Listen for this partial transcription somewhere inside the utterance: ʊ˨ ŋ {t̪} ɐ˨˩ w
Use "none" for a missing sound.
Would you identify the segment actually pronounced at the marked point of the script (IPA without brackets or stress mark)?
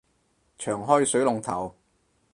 t̪ʰ